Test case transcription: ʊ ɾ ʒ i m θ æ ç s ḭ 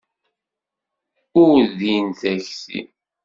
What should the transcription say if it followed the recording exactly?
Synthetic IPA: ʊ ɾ ð i n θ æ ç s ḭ

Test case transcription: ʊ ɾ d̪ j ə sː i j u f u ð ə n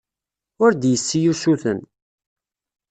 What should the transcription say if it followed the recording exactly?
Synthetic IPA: ʊ ɾ d̪ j ə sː i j u s u θ ə n

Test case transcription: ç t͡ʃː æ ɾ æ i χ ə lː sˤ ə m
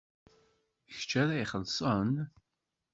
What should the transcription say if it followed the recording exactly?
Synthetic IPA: ç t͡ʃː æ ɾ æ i χ ə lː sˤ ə n

